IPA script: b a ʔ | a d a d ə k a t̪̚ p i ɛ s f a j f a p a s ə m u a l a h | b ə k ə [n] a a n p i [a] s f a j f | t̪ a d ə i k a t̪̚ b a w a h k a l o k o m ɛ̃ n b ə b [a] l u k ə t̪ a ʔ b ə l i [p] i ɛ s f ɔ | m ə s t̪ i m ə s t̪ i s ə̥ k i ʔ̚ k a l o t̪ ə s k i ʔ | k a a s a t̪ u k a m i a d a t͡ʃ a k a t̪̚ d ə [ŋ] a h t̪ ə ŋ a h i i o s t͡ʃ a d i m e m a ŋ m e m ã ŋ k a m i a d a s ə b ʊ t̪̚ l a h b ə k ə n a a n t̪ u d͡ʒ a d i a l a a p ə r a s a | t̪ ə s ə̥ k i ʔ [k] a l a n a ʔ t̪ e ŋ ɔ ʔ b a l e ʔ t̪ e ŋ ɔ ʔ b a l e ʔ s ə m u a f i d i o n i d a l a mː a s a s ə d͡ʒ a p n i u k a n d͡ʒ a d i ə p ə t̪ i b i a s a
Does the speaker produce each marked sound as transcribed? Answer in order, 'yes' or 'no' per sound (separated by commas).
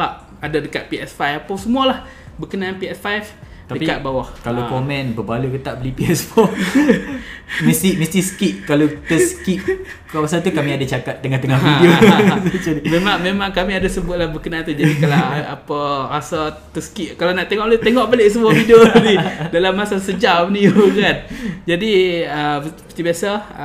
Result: yes, no, yes, yes, yes, yes